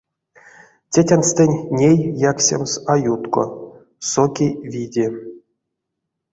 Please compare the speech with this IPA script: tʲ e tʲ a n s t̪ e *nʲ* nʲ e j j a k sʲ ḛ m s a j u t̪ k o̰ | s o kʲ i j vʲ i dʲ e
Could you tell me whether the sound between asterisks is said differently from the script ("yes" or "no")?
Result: no